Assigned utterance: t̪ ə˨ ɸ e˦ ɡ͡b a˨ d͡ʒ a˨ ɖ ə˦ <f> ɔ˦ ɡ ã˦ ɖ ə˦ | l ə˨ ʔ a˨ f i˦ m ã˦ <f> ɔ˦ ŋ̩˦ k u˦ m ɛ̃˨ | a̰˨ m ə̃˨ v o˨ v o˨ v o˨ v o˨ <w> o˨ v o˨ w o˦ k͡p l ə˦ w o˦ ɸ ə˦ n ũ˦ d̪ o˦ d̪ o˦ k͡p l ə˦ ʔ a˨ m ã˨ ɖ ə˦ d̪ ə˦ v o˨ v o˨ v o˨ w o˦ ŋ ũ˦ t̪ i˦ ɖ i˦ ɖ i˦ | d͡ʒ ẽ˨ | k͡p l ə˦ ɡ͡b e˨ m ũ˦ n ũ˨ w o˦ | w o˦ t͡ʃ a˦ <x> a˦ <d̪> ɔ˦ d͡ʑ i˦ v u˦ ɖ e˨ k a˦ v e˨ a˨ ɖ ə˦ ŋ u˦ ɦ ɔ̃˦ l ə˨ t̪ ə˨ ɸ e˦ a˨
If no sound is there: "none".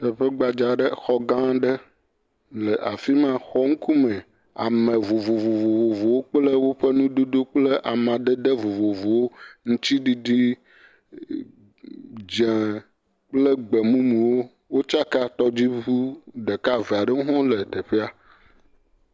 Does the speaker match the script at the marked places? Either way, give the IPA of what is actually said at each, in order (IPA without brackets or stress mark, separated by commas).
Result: x, x, v, k, t̪